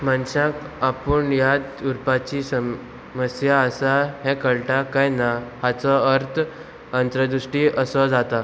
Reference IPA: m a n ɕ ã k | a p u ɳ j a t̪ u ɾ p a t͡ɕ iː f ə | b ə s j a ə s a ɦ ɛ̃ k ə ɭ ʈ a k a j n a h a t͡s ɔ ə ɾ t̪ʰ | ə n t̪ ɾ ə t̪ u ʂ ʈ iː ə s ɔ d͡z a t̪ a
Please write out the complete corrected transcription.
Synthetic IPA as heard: m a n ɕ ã k | a p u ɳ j a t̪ u ɾ p a t͡ɕ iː s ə | m ə s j a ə s a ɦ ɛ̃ k ə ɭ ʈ a k a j n a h a t͡s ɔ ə ɾ t̪ʰ | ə n t̪ ɾ ə d̪ u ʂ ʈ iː ə s ɔ d͡z a t̪ a

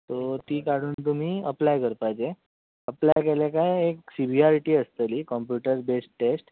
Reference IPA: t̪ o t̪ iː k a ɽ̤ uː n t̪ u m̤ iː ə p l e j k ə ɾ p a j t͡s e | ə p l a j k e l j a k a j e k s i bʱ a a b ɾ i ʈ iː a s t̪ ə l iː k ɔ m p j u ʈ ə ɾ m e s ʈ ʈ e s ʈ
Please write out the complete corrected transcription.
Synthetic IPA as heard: t̪ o t̪ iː k a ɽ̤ uː n t̪ u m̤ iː ə p l a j k ə ɾ p a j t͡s e | ə p l a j k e l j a k a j e k s i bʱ i a ɾ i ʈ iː ə s t̪ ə l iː k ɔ m p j u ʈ ə ɾ b e s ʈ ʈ e s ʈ

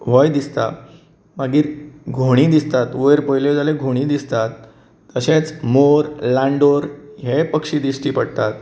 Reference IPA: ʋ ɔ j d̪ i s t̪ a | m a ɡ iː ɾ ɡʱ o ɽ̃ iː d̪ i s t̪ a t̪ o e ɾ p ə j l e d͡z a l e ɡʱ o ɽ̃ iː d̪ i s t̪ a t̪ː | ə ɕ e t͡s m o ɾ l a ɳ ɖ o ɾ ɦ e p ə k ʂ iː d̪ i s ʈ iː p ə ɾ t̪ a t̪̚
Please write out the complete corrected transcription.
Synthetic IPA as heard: ʋ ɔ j d̪ i s t̪ a | m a ɡ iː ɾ ɡʱ o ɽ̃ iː d̪ i s t̪ a t̪ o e ɾ p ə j l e d͡z a l e ɡʱ o ɽ̃ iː d̪ i s t̪ a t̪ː | ə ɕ e t͡s m o ɾ l a ɳ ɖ o ɾ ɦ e p ə k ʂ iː d̪ i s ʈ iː p ə ɽ t̪ a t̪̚

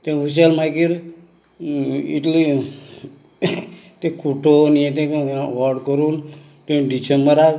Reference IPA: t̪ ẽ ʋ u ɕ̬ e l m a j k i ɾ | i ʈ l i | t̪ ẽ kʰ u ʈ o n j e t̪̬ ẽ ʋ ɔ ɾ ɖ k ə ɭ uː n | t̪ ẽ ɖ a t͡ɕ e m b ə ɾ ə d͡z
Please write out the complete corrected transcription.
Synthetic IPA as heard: t̪ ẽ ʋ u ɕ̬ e l m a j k i ɾ | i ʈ l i | t̪ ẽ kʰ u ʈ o n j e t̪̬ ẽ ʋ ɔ ɾ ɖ k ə ɾ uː n | t̪ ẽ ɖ i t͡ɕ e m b ə ɾ a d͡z

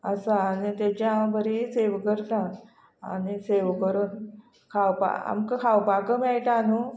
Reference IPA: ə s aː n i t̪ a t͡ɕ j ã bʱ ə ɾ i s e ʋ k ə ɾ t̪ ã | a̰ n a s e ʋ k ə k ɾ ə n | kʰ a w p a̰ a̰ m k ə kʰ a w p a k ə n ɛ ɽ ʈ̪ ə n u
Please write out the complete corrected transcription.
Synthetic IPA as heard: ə s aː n i t̪ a t͡ɕ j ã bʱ ə ɾ i s e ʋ k ə ɾ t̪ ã | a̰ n i s e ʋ k ə ɾ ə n | kʰ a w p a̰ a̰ m k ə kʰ a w p a k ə m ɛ ɭ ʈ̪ a n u

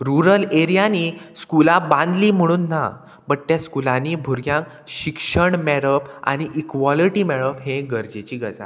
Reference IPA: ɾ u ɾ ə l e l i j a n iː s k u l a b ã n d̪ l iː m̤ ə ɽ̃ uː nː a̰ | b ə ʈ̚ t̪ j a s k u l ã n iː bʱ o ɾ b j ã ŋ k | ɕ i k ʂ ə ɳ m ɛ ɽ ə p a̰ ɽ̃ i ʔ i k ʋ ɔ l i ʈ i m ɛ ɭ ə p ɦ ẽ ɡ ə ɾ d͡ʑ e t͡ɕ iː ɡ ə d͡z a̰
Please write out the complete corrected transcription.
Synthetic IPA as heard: ɾ u ɾ ə l e ɾ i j a n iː s k u l a b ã n d̪ l iː m̤ ə ɽ̃ uː nː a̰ | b ə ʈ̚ t̪ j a s k u l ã n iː bʱ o ɾ ɡ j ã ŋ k | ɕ i k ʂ ə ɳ m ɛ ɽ ə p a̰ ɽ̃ i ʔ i k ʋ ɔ l i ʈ i m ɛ ɭ ə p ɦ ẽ ɡ ə ɾ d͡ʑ e t͡ɕ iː ɡ ə d͡z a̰

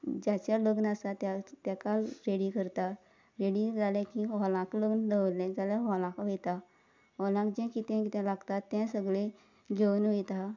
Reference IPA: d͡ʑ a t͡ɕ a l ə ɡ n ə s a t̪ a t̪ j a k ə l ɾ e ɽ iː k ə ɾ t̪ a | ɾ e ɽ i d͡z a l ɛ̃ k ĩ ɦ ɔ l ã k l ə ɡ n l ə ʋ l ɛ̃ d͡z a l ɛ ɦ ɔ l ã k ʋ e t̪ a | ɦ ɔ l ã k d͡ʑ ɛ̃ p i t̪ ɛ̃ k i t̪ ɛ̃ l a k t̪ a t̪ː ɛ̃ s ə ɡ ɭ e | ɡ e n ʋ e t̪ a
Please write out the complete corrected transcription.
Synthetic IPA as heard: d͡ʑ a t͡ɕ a l ə ɡ n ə s a t̪ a t̪ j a k a l ɾ e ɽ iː k ə ɾ t̪ a | ɾ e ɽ i d͡z a l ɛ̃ k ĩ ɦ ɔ l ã k l ə ɡ n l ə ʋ l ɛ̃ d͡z a l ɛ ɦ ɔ l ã k ʋ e t̪ a | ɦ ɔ l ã k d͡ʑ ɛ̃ k i t̪ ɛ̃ k i t̪ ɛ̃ l a ɡ t̪ a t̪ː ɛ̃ s ə ɡ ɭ e | ɡ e n ʋ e t̪ a

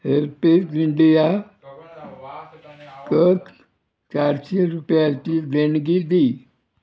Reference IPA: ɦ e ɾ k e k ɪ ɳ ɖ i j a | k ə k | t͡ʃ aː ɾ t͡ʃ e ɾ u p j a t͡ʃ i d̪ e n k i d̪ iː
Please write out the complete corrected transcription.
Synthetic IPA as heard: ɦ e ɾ p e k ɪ ɳ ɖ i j a | k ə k | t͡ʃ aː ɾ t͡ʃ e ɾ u p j a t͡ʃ i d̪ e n ɡ i d̪ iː

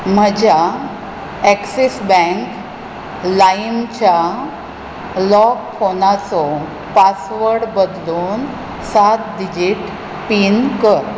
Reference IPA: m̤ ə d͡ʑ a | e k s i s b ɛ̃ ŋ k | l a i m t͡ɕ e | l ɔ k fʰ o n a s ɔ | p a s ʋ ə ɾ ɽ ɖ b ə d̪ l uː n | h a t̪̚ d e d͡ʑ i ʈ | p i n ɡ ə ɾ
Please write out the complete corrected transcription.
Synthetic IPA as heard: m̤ ə d͡ʑ a | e k s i s b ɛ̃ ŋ k | l a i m t͡ɕ a | l ɔ k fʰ o n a t͡s ɔ | p a s ʋ ə ɾ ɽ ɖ b ə d̪ l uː n | s a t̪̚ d i d͡ʑ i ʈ | p i n k ə ɾ

